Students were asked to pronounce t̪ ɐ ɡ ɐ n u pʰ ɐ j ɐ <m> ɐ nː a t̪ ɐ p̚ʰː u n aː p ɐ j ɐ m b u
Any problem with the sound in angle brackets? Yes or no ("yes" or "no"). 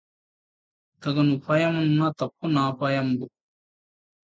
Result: no